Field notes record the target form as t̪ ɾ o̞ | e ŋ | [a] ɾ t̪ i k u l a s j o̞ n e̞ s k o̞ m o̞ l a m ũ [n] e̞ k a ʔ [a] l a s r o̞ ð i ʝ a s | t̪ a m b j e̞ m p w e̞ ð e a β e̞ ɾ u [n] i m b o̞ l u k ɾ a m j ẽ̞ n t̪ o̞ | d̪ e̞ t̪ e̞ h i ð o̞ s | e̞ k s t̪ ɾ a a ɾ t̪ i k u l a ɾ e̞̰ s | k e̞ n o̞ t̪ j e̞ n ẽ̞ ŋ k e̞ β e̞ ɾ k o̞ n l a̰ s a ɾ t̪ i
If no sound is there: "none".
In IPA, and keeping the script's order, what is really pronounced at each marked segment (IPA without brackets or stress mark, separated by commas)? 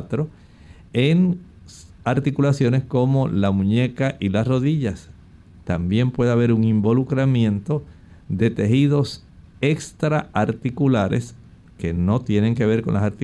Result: a, ɲ, i, ŋ